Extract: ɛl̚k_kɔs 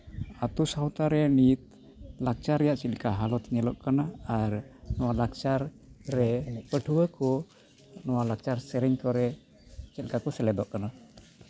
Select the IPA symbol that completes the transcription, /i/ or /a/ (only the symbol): a